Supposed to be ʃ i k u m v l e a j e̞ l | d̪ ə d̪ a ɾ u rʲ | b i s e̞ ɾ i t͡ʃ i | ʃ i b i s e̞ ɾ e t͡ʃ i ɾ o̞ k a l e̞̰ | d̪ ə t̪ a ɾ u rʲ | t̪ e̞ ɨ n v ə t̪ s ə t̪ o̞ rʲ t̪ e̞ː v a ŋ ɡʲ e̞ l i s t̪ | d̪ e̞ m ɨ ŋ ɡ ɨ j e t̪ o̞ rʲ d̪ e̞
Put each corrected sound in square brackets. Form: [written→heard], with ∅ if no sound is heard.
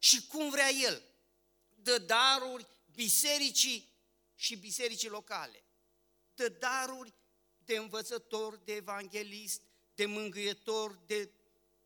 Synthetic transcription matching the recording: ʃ i k u m v [l→ɾ] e a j e̞ l | d̪ ə d̪ a ɾ u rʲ | b i s e̞ ɾ i t͡ʃ i | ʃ i b i s e̞ ɾ [e→i] t͡ʃ i [ɾ→l] o̞ k a l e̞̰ | d̪ ə [t̪→d̪] a ɾ u rʲ | [t̪→d̪] e̞ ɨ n v ə t̪ s ə t̪ o̞ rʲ [t̪→d̪] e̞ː v a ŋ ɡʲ e̞ l i s t̪ | d̪ e̞ m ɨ ŋ ɡ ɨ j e t̪ o̞ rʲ d̪ e̞